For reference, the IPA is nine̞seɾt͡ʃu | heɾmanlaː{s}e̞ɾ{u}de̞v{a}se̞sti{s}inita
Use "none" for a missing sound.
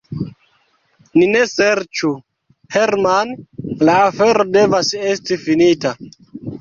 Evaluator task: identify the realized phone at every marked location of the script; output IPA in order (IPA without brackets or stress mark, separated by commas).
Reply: f, o, a, f